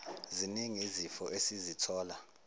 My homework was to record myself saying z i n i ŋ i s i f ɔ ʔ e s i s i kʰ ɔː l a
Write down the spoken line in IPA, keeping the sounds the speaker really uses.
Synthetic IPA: z i n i ŋ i z i f ɔ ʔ e s i z i tʰ ɔː l a